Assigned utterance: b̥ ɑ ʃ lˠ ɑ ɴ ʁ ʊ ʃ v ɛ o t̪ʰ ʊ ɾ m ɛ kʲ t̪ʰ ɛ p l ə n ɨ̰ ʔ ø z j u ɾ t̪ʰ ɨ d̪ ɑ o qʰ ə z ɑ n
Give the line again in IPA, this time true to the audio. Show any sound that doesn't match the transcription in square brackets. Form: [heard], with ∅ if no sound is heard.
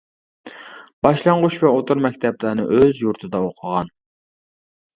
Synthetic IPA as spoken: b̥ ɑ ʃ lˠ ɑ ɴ ʁ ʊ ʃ v ɛ o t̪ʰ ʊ ɾ m ɛ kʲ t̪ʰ ɛ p l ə n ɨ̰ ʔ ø z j u ɾ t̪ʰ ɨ d̪ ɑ o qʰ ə [ʁ] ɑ n